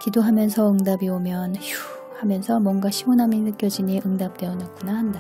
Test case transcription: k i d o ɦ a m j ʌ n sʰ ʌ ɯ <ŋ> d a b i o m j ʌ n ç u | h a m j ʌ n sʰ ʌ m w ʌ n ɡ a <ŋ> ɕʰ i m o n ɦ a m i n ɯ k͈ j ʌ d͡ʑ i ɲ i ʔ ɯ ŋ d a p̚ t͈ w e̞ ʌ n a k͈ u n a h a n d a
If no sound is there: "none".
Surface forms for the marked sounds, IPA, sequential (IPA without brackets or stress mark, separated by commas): ŋ, none